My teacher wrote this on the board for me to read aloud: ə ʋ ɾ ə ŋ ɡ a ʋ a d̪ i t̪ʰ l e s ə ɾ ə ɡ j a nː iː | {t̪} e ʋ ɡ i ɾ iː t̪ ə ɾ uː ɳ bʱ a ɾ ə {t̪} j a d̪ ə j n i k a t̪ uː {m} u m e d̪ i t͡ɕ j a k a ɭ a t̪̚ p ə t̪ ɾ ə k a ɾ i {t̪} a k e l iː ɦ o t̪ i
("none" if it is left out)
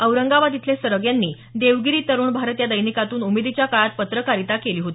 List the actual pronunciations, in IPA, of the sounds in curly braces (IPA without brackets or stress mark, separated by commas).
d̪, t̪, n, t̪